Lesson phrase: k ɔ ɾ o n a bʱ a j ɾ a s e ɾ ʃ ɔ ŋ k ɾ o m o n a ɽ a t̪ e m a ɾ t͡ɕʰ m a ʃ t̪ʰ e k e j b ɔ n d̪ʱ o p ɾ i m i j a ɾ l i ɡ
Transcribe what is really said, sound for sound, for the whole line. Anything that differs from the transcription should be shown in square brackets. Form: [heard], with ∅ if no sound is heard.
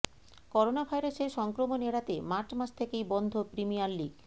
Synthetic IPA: k ɔ ɾ o n a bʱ a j ɾ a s e ɾ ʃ ɔ ŋ k ɾ o m o n [e] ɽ a t̪ e m a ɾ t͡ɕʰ m a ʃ t̪ʰ e k e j b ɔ n d̪ʱ o p ɾ i m i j a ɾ l i ɡ

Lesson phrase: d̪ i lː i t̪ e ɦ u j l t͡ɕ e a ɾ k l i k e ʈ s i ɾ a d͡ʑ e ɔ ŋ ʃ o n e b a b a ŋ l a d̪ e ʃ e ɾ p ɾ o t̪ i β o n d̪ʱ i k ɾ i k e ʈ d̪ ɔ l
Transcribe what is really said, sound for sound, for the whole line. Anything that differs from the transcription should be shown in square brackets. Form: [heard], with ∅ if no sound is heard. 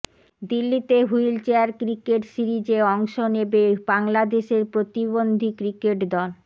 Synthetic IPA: d̪ i lː i t̪ e ɦ u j l t͡ɕ e a ɾ k [ɾ] i k e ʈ s i ɾ [i] d͡ʑ e ɔ ŋ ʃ o n e b [e] b a ŋ l a d̪ e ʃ e ɾ p ɾ o t̪ i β o n d̪ʱ i k ɾ i k e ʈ d̪ ɔ l

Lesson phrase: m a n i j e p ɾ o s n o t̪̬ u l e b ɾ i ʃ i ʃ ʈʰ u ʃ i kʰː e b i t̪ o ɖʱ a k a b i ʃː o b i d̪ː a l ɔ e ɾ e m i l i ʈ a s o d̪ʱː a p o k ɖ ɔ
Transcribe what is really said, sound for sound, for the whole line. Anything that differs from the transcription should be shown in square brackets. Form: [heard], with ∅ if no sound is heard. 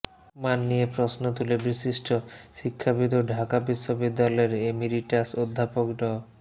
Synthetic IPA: m a [nː] i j e p ɾ o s n o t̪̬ u l e b ɾ i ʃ i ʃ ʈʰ [o] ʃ i kʰː [a] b i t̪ o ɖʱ a k a b i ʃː o b i d̪ː a l ɔ e ɾ e m i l i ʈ a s o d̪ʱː a p o k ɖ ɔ

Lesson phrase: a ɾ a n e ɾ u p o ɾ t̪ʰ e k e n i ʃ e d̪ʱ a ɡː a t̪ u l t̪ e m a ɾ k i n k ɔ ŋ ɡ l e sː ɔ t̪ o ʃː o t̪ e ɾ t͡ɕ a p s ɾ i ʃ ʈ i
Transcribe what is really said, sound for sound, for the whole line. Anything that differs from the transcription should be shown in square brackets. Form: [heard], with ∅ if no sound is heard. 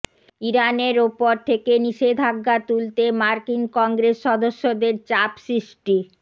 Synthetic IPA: [i] ɾ a n e ɾ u p o ɾ t̪ʰ e k e n i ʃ e d̪ʱ a ɡː a t̪ u l t̪ e m a ɾ k i n k ɔ ŋ ɡ [ɾ] e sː ɔ [d̪] o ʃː o [d̪] e ɾ t͡ɕ a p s ɾ i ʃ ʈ i

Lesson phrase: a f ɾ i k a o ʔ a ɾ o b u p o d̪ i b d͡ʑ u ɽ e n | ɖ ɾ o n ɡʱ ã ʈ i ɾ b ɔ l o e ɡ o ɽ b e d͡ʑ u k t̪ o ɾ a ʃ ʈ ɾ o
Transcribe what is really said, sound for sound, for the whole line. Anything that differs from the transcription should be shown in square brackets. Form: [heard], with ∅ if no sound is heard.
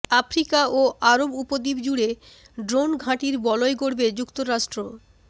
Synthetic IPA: a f ɾ i k a o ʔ a ɾ o b u p o d̪ i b d͡ʑ u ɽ e [∅] | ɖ ɾ o n ɡʱ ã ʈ i ɾ b ɔ l o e ɡ o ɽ b e d͡ʑ u k t̪ o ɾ a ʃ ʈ ɾ o

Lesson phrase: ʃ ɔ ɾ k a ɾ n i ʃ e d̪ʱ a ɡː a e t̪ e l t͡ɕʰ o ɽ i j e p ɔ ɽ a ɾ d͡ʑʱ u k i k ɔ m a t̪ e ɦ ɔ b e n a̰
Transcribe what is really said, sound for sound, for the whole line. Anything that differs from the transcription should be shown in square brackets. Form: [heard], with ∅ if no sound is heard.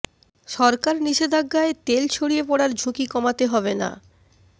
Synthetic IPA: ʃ ɔ ɾ k a ɾ n i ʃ e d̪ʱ a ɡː a e t̪ e l t͡ɕʰ o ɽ i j e p ɔ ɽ a ɾ d͡ʑʱ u k i k ɔ m a t̪ e ɦ ɔ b e n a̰

